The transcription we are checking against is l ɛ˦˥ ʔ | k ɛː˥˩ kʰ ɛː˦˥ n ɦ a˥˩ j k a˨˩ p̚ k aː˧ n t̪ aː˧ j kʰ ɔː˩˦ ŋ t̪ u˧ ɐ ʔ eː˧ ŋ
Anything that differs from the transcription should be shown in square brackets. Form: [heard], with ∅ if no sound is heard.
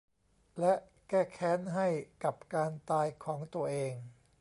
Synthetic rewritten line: l ɛ˦˥ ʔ | k ɛː˥˩ kʰ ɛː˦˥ n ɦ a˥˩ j k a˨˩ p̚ k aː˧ n t̪ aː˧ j kʰ ɔː˩˦ ŋ t̪ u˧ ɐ ʔ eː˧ ŋ